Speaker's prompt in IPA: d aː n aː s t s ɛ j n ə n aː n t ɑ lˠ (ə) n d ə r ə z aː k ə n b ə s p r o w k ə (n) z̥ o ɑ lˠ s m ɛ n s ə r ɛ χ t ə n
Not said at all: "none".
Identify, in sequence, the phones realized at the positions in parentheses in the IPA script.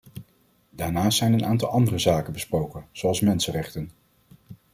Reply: ɑ, n

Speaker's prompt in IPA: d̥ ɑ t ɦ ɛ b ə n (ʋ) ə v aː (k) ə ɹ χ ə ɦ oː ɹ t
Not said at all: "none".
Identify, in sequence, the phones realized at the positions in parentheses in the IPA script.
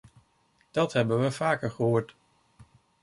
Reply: ʋ, k

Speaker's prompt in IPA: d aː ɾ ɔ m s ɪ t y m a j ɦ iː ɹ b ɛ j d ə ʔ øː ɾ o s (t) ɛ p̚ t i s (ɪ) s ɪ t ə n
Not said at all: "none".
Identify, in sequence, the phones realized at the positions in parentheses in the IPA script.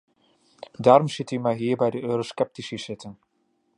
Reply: k, i

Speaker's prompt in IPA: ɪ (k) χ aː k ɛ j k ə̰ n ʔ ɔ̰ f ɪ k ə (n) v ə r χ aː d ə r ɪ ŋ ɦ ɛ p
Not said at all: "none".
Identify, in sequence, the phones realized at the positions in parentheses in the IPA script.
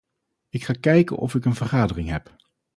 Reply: k, n

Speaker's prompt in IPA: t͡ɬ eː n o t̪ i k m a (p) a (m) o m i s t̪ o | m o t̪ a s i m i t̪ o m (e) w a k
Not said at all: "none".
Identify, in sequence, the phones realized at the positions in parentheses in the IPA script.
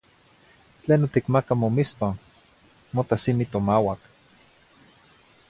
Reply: k, m, a

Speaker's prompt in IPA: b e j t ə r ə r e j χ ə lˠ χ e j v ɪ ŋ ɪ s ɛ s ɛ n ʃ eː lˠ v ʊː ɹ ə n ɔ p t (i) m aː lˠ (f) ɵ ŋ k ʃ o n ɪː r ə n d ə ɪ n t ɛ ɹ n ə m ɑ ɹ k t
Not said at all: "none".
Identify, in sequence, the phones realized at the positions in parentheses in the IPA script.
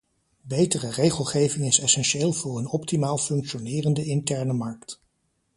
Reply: i, f

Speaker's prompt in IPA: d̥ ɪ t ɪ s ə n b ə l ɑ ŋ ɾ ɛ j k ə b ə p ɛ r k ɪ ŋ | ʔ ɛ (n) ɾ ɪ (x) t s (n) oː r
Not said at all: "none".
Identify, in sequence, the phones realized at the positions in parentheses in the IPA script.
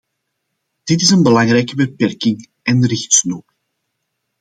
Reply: n, x, n

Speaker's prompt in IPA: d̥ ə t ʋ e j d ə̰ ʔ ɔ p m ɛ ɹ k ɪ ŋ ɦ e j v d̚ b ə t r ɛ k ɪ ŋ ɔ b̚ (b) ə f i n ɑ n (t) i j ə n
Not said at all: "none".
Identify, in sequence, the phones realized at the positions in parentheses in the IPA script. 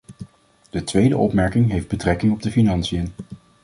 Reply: d, s

